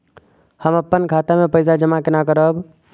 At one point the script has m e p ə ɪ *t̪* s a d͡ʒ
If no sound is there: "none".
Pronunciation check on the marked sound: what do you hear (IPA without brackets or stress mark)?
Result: none